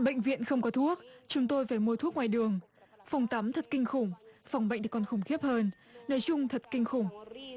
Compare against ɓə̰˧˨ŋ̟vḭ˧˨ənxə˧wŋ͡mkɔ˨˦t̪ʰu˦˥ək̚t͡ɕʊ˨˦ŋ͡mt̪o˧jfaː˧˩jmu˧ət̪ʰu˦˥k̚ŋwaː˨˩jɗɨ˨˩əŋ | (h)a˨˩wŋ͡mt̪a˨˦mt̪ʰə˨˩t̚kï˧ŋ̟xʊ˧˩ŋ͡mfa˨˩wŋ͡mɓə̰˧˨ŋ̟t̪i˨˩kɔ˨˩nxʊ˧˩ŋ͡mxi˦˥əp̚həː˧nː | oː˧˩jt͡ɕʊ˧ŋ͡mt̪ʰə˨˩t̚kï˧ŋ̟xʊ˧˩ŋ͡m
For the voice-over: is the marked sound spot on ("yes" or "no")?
no